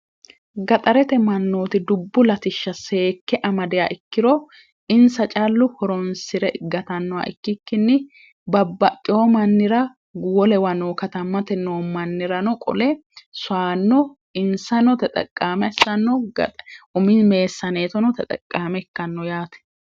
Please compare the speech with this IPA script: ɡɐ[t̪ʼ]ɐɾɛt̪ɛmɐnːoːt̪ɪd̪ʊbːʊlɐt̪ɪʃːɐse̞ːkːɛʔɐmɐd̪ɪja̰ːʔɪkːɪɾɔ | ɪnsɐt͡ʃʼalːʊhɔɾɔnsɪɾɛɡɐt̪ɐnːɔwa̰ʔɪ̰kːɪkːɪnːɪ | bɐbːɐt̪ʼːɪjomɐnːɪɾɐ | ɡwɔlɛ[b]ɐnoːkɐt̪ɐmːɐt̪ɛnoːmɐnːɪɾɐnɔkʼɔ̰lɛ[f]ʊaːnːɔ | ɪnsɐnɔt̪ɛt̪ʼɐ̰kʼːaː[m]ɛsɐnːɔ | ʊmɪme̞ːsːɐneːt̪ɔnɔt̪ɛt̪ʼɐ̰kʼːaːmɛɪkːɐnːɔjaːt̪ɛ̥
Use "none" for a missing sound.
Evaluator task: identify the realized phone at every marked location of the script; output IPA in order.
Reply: t̪ʼ, w, s, m

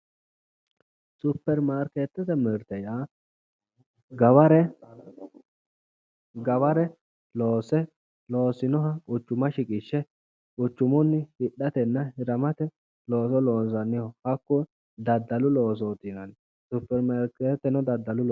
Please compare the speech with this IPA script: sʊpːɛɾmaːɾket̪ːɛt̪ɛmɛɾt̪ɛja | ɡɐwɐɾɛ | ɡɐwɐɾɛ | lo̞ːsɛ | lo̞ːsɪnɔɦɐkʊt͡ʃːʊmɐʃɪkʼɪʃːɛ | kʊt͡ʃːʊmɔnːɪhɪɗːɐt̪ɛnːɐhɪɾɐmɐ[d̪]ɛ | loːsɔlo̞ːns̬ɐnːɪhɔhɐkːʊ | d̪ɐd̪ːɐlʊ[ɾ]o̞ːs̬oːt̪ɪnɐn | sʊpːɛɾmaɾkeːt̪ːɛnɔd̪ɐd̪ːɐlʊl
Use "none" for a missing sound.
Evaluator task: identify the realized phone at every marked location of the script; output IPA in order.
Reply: t̪, l

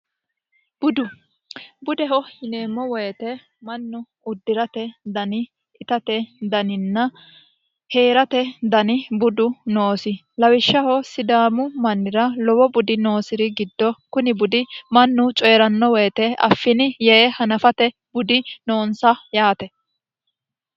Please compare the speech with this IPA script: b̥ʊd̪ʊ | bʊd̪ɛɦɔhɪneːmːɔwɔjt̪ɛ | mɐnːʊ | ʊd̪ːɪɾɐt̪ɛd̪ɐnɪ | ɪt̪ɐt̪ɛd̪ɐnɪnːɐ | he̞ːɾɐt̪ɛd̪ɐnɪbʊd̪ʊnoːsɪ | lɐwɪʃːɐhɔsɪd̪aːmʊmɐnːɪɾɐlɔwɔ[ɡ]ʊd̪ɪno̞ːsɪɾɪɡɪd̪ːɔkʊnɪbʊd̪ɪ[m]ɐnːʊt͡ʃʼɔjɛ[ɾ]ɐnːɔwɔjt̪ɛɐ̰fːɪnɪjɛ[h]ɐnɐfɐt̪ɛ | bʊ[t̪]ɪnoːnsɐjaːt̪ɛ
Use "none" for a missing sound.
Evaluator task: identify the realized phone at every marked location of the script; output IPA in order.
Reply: b, m, ɾ, h, d̪

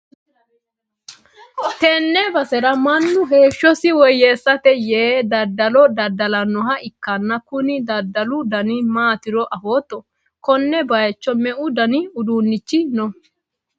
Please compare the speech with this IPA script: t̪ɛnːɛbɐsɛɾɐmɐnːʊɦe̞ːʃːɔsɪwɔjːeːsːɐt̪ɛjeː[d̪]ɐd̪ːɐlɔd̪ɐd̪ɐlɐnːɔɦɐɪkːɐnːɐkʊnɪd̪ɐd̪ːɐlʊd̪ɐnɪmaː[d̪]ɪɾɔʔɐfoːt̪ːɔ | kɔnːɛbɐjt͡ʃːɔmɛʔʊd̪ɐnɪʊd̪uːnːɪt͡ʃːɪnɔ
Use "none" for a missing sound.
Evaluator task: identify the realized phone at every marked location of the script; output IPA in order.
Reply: d̪, t̪

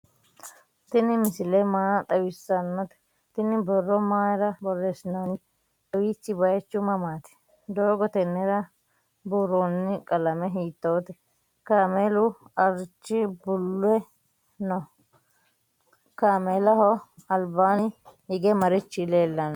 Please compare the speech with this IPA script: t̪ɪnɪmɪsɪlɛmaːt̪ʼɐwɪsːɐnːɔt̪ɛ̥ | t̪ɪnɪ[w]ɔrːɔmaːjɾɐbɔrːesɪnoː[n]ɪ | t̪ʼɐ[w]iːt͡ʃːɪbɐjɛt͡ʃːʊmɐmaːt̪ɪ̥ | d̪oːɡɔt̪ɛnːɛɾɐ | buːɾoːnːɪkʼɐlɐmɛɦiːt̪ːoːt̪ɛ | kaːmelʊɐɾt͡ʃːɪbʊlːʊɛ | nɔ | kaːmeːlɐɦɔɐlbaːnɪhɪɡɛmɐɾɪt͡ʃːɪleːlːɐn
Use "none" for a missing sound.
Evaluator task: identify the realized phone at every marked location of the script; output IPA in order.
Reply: b, n, w

